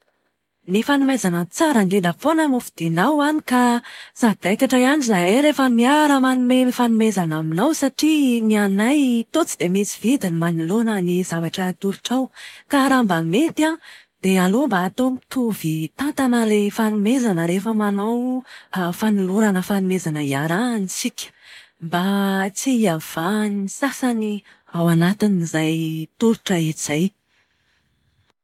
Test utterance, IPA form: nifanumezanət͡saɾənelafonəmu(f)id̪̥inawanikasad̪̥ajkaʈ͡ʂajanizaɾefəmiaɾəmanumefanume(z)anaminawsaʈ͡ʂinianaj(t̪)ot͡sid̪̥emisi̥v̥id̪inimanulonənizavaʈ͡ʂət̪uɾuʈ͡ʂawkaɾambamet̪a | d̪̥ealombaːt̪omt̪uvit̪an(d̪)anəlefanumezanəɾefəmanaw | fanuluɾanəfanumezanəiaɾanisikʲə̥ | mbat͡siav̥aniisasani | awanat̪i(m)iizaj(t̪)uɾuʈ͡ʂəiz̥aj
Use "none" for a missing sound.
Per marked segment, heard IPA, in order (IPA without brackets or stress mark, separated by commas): f, z, t̪, t̪, n, t̪